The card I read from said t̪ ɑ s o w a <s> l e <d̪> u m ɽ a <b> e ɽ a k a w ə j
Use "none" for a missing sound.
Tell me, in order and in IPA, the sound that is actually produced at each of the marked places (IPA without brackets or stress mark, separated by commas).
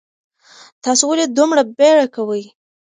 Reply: none, d̪, b